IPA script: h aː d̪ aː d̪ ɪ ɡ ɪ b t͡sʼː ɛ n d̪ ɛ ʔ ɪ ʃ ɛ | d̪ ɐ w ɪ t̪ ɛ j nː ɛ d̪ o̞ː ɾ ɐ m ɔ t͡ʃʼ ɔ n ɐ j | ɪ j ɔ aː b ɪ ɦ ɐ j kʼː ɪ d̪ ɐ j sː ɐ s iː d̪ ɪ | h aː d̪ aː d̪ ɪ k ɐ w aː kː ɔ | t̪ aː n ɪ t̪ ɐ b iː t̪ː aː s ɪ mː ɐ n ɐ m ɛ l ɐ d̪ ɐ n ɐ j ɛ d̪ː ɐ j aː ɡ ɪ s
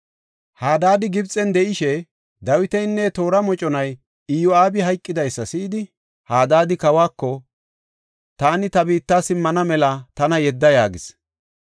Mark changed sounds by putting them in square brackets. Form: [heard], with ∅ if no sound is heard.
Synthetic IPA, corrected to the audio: h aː d̪ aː d̪ ɪ ɡ ɪ b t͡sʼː ɛ n d̪ ɛ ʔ ɪ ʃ ɛ | d̪ ɐ w ɪ t̪ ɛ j nː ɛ [t̪] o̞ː ɾ ɐ m ɔ t͡ʃʼ ɔ n ɐ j | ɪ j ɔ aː b ɪ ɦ ɐ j kʼː ɪ d̪ ɐ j sː ɐ s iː d̪ ɪ | h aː d̪ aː d̪ ɪ k ɐ w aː kː ɔ | t̪ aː n ɪ t̪ ɐ b iː t̪ː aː s ɪ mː ɐ n ɐ m ɛ l ɐ [t̪] ɐ n ɐ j ɛ d̪ː ɐ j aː ɡ ɪ s